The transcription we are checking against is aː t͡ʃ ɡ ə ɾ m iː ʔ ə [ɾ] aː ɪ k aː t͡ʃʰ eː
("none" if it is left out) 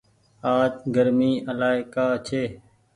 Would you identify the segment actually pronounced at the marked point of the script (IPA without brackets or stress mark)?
l